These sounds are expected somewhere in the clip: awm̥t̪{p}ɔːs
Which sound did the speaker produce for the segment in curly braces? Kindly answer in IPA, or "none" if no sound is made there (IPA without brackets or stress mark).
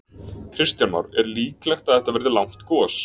k